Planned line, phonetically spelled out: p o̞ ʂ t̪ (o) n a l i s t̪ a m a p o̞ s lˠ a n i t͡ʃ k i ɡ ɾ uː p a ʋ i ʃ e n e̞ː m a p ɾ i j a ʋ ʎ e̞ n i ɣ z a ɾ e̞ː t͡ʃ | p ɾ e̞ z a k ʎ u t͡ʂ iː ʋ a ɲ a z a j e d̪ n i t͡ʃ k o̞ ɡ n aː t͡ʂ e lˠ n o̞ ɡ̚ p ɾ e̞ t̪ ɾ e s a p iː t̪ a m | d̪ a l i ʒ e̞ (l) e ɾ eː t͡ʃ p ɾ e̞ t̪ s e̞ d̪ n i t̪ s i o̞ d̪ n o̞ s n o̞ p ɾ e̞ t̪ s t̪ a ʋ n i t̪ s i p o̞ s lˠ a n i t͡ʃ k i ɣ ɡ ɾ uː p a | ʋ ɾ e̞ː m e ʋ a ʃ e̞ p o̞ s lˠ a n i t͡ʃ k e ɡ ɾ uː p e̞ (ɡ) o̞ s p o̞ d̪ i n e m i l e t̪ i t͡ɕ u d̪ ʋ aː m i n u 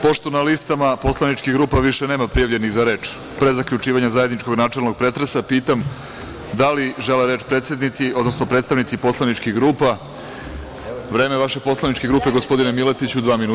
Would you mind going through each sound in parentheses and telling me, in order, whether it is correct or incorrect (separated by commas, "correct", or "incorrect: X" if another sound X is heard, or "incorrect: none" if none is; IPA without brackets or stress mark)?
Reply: correct, correct, correct